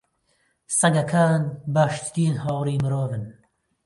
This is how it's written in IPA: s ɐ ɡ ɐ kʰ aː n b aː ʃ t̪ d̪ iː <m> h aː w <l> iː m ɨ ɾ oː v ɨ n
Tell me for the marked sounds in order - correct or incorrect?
incorrect, incorrect

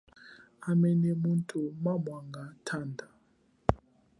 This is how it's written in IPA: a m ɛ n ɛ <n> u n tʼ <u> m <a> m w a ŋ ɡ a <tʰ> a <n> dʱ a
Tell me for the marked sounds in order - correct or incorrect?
incorrect, correct, correct, correct, correct

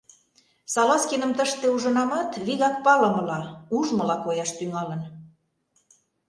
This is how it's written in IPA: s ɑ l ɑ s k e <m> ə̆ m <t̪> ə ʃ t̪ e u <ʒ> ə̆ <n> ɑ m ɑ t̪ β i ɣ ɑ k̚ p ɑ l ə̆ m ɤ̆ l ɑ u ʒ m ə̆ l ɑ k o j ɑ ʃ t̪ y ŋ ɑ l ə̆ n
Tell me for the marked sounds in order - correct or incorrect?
incorrect, correct, correct, correct

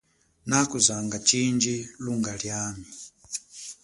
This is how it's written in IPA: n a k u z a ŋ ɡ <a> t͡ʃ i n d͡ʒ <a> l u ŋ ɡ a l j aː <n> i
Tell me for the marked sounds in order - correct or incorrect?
correct, incorrect, incorrect

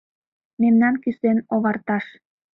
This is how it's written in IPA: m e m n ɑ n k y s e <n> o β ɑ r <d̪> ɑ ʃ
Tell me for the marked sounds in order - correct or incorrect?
correct, incorrect

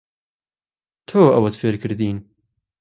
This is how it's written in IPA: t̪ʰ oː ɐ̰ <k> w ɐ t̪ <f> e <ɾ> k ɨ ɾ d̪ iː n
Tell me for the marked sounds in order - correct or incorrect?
incorrect, correct, correct

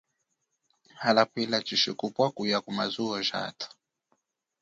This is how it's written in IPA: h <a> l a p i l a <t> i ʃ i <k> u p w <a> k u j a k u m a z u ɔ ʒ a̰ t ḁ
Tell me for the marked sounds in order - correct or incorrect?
correct, incorrect, correct, correct

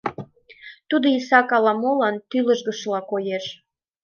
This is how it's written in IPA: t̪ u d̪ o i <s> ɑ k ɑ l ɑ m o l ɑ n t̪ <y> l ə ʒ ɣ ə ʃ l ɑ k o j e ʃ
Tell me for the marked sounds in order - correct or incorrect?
correct, correct

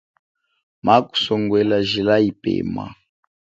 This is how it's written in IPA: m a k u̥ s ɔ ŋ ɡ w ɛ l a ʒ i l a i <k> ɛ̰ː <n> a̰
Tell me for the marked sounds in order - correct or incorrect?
incorrect, incorrect

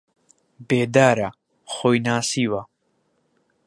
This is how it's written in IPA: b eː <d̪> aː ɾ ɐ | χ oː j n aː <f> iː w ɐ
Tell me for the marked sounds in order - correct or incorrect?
correct, incorrect

